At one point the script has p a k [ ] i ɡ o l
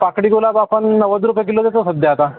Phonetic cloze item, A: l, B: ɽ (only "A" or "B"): B